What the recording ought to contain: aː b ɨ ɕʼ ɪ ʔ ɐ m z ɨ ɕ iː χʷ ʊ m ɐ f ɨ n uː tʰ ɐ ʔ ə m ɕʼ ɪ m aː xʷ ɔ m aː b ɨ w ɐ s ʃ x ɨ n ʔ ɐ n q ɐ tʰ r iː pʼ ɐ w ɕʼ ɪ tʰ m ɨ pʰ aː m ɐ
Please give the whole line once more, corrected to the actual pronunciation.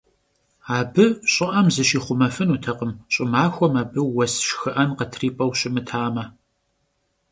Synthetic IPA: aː b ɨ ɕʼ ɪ ʔ ɐ m z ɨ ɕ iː χʷ ʊ m ɐ f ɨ n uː tʰ ɐ q ə m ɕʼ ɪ m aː xʷ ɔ m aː b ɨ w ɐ s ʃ x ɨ ʔ ɐ n q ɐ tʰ r iː pʼ ɐ w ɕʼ ɪ m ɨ tʰ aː m ɐ